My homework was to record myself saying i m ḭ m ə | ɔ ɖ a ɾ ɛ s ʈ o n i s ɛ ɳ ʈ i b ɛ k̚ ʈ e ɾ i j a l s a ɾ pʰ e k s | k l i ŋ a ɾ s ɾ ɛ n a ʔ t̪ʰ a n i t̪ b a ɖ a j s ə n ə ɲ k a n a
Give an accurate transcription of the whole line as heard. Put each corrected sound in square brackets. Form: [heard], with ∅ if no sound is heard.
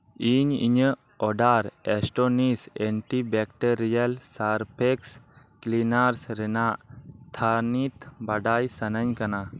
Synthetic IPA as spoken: i [ɲ] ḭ [ɲ] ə | ɔ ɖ a ɾ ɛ s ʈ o n i s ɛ ɳ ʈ i b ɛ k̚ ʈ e ɾ i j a l s a ɾ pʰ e k s | k l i [n] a ɾ s ɾ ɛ n a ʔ t̪ʰ a n i t̪ b a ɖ a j s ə n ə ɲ k a n a

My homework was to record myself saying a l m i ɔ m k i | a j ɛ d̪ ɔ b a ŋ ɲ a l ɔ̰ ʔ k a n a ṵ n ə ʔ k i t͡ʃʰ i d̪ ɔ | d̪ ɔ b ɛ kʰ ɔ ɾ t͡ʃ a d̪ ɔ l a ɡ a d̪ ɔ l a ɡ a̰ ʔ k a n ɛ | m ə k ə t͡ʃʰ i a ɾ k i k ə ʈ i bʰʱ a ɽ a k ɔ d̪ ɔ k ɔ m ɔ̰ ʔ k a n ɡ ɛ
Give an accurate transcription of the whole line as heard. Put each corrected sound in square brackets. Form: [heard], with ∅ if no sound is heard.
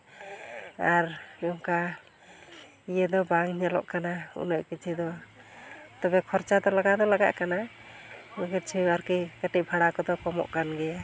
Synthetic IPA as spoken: a [ɾ] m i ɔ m k [a] | [i] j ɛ d̪ ɔ b a ŋ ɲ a l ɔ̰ ʔ k a n a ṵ n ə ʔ k i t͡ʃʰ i d̪ ɔ | [t̪] ɔ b ɛ kʰ ɔ ɾ t͡ʃ a d̪ ɔ l a ɡ a d̪ ɔ l a ɡ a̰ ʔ k a n [a] | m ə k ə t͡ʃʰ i a ɾ k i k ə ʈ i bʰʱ a ɽ a k ɔ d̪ ɔ k ɔ m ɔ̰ ʔ k a n ɡ ɛ

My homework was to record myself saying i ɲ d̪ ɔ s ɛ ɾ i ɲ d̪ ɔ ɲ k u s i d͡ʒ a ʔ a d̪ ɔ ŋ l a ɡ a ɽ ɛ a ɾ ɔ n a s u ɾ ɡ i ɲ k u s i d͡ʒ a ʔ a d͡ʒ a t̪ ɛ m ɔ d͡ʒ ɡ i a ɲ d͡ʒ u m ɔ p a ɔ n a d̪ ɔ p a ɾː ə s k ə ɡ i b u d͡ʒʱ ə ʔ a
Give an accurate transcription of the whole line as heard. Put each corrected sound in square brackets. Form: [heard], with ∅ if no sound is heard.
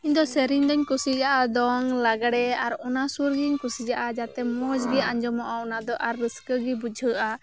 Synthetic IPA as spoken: i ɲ d̪ ɔ s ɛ ɾ i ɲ d̪ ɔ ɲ k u s i d͡ʒ a ʔ a d̪ ɔ ŋ l a ɡ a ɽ ɛ a ɾ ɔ n a s u ɾ ɡ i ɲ k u s i d͡ʒ a ʔ a d͡ʒ a t̪ ɛ m ɔ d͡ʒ ɡ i a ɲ d͡ʒ [ɔ] m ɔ [ʔ] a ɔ n a d̪ ɔ [ʔ] a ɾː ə s k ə ɡ i b u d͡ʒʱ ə ʔ a

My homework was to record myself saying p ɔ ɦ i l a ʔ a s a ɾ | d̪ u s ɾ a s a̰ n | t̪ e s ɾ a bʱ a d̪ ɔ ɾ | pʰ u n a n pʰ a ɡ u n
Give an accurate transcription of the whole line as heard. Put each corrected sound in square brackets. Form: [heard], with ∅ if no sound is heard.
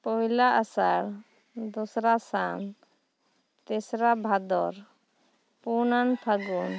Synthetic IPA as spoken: p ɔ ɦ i l a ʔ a s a ɾ | d̪ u s ɾ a s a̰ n | t̪ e s ɾ a bʱ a d̪ ɔ ɾ | [p] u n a n pʰ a ɡ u n

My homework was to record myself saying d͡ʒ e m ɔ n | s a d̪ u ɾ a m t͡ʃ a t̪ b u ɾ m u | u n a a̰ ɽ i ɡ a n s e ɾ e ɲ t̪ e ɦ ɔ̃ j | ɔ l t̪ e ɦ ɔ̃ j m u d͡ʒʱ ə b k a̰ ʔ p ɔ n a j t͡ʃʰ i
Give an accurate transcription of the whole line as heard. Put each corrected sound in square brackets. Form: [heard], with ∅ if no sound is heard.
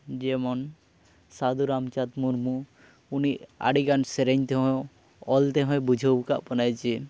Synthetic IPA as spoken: d͡ʒ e m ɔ n | s a d̪ u ɾ a m t͡ʃ a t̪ [m] u ɾ m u | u n [i] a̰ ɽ i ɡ a n s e ɾ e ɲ t̪ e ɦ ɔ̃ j | ɔ l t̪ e ɦ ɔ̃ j [b] u d͡ʒʱ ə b k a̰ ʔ p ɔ n a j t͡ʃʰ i

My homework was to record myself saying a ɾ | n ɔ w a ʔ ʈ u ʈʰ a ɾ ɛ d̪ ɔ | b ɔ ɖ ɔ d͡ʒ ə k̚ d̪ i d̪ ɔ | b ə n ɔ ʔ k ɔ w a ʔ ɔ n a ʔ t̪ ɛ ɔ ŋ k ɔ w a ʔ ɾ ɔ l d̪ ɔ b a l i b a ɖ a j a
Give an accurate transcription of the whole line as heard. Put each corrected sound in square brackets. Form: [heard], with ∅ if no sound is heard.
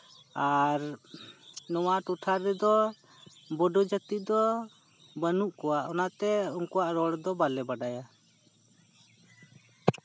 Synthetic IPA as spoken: a ɾ | n ɔ w a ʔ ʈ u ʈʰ a ɾ ɛ d̪ ɔ | b ɔ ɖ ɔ d͡ʒ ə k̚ [t̪] i d̪ ɔ | b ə n [u] ʔ k ɔ w a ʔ ɔ n a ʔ t̪ ɛ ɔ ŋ k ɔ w a ʔ ɾ ɔ [ɽ] d̪ ɔ b a l [ɛ] b a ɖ a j a

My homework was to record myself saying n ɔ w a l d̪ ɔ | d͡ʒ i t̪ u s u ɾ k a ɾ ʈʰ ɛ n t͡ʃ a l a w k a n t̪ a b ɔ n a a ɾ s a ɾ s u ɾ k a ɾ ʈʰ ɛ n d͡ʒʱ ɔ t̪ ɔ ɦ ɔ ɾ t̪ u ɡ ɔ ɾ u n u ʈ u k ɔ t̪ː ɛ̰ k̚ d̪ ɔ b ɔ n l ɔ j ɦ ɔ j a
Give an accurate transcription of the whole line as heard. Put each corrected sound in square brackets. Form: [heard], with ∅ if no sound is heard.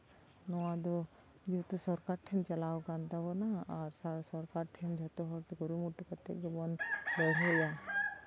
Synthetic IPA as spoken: n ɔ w a [∅] d̪ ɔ | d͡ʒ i t̪ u s [ɔ] ɾ k a ɾ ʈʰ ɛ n t͡ʃ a l a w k a n t̪ a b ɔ n a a ɾ s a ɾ s [ɔ] ɾ k a ɾ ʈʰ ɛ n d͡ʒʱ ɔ t̪ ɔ ɦ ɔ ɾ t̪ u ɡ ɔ ɾ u [m] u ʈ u k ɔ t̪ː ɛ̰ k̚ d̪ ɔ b ɔ n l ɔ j ɦ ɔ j a

